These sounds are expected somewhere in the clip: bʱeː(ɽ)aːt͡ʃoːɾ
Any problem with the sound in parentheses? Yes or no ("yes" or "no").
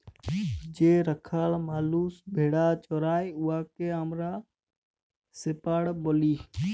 no